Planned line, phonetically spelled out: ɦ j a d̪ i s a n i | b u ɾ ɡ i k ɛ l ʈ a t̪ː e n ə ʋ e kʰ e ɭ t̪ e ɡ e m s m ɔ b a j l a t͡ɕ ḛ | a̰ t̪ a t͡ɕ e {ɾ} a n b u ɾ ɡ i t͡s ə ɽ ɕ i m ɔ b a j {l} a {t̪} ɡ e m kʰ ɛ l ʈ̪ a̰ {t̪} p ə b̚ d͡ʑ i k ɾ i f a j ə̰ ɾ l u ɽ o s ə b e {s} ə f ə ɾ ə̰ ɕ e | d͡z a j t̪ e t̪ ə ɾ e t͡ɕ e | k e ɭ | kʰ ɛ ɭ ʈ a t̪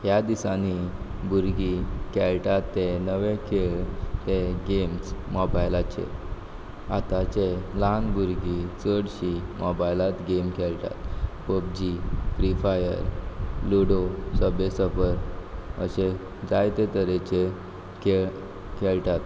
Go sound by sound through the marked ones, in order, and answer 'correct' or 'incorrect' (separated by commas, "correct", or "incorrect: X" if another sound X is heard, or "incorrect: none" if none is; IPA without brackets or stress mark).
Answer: incorrect: l, correct, correct, correct, correct